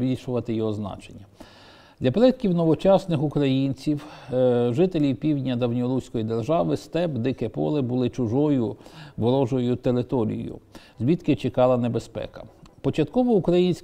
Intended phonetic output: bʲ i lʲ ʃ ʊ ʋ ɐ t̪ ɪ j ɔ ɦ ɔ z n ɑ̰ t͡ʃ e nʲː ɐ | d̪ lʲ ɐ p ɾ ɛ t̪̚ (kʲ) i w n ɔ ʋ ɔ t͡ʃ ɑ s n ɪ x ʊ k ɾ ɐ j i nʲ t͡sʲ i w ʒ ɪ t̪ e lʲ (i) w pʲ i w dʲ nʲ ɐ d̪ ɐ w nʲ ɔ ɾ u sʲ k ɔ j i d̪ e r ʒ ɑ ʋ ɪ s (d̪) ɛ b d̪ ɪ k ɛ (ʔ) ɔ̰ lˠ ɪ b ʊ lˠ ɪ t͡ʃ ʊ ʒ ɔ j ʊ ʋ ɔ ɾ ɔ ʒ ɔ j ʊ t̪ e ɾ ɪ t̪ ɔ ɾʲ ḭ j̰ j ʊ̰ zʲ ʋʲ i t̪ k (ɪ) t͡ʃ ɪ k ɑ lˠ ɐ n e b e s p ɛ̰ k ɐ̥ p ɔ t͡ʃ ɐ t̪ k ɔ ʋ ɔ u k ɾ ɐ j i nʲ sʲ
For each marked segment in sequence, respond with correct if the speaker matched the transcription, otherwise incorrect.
correct, correct, incorrect: t̪, incorrect: p, correct

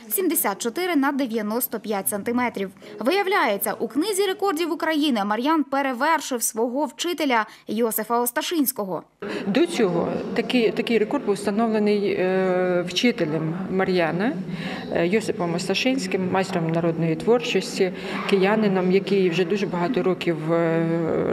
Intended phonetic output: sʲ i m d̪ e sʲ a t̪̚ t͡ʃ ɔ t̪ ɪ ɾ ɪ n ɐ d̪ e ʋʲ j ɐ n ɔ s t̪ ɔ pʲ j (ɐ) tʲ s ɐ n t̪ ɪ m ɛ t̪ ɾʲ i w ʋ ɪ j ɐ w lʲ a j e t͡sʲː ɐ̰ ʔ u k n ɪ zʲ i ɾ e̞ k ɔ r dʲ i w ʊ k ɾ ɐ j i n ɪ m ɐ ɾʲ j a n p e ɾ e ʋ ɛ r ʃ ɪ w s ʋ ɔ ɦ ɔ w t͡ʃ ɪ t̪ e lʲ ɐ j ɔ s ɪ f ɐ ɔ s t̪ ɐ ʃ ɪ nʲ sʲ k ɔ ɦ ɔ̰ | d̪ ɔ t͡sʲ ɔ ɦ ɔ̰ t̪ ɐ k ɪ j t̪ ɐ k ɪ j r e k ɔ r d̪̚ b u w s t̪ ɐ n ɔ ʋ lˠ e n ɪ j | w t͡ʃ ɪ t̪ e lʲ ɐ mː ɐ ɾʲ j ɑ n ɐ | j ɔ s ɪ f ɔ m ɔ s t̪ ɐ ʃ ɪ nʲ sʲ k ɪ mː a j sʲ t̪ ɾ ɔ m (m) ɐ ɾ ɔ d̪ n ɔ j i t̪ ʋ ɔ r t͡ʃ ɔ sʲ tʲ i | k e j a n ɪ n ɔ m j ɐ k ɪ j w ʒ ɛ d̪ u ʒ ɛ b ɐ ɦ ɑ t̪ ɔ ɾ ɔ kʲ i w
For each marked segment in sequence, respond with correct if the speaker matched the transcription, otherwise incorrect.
incorrect: a, incorrect: n

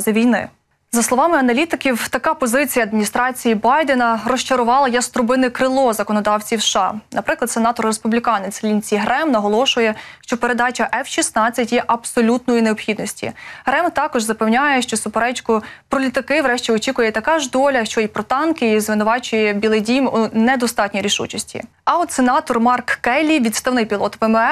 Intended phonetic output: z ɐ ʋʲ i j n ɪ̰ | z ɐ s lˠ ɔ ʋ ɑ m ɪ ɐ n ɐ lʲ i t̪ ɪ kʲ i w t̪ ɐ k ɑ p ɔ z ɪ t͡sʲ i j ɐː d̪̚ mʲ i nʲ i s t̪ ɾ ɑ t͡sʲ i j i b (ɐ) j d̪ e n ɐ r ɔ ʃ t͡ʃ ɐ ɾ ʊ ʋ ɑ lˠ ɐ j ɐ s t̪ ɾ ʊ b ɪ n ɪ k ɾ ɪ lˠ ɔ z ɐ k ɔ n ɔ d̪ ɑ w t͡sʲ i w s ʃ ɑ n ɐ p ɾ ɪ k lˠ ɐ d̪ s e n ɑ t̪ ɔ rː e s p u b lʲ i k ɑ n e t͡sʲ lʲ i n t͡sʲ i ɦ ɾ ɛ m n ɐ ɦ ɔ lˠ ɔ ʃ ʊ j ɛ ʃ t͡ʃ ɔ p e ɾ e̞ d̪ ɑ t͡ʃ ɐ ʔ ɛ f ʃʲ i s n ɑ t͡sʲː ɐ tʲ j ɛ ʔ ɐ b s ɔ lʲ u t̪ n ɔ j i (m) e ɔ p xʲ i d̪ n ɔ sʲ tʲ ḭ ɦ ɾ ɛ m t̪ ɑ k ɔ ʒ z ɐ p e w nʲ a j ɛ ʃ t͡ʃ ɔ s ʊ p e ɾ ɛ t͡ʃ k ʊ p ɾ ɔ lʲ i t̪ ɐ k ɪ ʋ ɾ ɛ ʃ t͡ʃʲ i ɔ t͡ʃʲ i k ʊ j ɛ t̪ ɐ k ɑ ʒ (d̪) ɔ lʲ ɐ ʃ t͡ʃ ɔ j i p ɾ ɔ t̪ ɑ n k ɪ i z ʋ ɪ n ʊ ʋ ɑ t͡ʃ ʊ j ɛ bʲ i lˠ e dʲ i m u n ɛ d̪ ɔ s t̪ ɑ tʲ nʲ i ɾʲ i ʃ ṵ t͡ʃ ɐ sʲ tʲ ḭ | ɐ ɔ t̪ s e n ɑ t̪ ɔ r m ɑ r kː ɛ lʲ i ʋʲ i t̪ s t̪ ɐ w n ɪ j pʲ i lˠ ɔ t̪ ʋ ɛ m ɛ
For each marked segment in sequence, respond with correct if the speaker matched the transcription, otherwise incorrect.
incorrect: ɑ, incorrect: n, correct

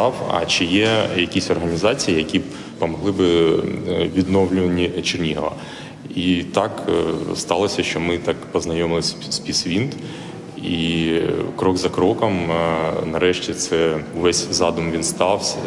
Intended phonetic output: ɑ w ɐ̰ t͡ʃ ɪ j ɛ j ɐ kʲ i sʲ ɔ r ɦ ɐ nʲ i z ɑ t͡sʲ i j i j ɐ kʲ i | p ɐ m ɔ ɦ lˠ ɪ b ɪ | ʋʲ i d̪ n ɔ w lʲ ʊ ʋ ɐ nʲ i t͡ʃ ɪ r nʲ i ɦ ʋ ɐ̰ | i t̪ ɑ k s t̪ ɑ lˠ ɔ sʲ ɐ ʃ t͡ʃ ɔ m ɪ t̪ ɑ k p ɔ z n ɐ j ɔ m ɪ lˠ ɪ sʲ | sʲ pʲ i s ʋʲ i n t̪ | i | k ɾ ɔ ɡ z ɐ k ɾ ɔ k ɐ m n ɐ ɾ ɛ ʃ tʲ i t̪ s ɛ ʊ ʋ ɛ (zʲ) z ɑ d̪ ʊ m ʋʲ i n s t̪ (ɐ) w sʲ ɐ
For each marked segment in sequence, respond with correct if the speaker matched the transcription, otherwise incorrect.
incorrect: sʲ, incorrect: ɑ

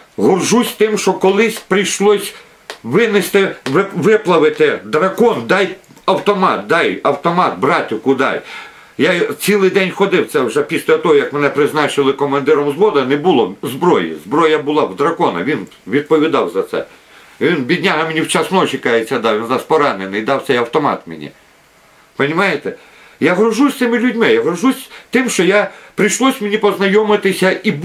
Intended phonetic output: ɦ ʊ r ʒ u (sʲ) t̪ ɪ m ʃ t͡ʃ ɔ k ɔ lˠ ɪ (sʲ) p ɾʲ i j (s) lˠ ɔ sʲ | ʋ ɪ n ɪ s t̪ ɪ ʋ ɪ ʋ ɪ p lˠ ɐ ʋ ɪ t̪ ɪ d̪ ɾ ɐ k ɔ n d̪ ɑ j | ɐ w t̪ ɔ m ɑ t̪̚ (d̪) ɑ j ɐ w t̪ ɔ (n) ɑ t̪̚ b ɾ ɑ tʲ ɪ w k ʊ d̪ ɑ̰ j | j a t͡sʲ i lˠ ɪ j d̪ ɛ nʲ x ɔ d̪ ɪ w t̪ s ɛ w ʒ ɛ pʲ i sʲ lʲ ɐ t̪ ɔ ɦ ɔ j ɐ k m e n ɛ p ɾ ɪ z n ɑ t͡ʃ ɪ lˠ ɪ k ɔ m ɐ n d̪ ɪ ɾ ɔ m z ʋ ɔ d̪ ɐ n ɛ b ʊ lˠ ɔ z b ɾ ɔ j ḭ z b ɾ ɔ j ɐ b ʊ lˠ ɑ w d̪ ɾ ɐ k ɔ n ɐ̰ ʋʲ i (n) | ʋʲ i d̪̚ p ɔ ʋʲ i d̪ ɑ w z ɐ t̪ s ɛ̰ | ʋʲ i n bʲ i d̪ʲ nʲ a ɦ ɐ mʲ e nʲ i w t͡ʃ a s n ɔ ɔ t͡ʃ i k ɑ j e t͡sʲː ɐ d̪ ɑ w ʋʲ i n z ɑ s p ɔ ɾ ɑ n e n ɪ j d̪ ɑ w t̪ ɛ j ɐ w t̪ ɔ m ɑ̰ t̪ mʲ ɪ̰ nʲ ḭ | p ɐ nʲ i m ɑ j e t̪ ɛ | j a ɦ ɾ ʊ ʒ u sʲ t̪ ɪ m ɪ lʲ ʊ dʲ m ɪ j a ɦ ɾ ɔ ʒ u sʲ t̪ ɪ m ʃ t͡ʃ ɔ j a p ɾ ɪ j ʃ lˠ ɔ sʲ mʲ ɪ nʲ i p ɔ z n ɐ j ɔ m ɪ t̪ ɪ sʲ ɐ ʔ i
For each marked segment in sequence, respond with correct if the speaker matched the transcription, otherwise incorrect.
correct, correct, incorrect: ʃ, correct, incorrect: m, correct

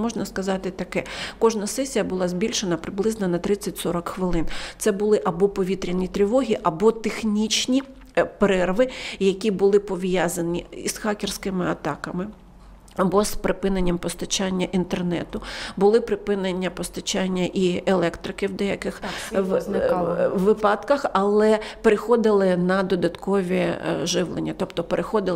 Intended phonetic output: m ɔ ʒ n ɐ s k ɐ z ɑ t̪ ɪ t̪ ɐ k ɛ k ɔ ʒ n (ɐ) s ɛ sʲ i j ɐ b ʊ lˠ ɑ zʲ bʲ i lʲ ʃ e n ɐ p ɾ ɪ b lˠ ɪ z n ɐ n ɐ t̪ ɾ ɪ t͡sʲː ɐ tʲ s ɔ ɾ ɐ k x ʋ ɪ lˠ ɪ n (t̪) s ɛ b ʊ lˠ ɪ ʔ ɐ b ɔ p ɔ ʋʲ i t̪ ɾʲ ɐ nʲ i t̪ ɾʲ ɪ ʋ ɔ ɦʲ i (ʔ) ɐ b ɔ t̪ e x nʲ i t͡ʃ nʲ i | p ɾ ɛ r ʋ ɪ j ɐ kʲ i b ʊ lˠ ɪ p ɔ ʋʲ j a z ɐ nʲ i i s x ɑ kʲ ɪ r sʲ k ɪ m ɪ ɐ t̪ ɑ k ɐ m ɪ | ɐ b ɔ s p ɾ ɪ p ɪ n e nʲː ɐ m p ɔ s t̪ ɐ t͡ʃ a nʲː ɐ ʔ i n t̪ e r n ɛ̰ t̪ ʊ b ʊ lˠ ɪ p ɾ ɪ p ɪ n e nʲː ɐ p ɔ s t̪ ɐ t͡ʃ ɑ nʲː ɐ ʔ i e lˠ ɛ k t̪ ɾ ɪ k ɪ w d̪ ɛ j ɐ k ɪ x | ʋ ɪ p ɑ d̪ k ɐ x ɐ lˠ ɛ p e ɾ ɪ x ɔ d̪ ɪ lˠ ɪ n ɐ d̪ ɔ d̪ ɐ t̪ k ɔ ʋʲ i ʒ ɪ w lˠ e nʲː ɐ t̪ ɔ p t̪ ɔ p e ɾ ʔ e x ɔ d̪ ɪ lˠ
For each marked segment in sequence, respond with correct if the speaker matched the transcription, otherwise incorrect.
correct, correct, correct

